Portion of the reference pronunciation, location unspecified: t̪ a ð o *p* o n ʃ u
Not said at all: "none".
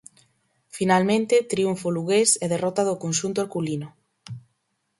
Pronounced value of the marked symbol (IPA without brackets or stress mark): k